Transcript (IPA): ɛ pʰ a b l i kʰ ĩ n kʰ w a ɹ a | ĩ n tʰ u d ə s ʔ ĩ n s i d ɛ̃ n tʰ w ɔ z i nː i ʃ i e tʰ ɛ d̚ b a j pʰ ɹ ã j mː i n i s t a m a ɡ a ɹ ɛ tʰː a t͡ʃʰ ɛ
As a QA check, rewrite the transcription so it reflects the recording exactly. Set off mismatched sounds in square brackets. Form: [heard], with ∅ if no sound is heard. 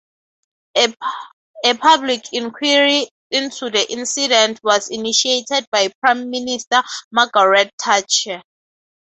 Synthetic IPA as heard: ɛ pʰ a b l i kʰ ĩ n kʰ w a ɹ [i] | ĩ n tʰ u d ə [∅] ʔ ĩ n s i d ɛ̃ n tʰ w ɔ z i [n] i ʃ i e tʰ ɛ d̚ b a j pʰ ɹ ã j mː i n i s t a m a ɡ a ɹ ɛ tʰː a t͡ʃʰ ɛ